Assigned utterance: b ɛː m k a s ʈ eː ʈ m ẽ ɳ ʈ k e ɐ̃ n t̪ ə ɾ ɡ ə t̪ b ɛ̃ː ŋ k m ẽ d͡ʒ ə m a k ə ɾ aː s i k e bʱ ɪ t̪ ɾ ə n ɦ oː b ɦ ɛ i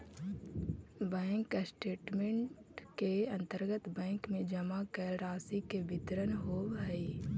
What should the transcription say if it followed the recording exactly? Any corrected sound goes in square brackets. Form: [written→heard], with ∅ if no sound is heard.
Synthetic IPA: b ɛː [m→ŋ] k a s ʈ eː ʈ m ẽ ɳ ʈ k e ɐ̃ n t̪ ə ɾ ɡ ə t̪ b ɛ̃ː ŋ k m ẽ d͡ʒ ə m a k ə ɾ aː s i k e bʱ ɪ t̪ ɾ ə n ɦ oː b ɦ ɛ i